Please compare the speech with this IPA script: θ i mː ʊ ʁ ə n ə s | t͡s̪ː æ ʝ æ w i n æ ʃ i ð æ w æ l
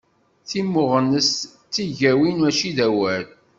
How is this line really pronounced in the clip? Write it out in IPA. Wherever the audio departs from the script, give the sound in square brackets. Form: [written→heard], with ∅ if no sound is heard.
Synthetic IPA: θ i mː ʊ ʁ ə n ə s | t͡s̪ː [æ→i] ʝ æ w i n æ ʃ i ð æ w æ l